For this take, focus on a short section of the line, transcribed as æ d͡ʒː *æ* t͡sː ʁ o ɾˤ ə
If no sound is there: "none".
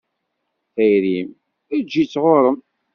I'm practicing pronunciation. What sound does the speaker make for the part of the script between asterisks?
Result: i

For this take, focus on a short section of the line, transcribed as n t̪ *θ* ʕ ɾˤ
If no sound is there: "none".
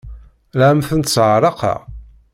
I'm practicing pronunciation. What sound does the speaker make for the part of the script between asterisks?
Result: s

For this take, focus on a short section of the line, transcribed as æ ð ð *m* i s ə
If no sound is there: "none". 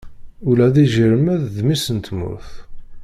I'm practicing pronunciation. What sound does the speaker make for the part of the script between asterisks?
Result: m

